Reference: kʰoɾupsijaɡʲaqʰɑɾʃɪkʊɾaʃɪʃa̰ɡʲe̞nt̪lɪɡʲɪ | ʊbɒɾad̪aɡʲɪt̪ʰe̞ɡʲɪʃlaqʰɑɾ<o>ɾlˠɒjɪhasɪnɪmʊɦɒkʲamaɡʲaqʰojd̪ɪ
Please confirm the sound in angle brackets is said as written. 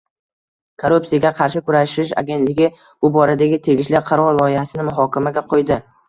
no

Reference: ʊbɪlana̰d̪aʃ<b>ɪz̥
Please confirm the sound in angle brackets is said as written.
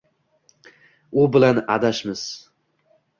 no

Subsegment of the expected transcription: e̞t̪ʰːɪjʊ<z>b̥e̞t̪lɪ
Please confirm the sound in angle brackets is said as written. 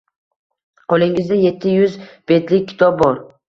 yes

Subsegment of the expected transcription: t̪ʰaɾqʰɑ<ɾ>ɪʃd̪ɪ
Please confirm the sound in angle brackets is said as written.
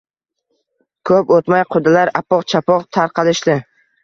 no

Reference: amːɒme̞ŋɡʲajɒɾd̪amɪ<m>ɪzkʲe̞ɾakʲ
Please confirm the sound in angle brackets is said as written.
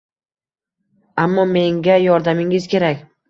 no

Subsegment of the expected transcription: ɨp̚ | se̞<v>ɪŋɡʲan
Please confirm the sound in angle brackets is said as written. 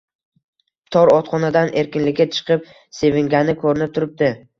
yes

